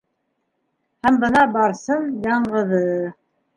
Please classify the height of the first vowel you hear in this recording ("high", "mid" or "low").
low